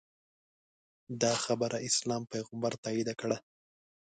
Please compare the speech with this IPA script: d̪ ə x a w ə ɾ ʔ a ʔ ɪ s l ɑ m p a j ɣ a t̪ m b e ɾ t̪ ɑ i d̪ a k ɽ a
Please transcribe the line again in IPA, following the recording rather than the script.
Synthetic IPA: d̪ ɑ x a b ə ɾ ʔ a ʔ ɪ s l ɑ m p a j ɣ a m b a ɾ t̪ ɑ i d̪ a k ɽ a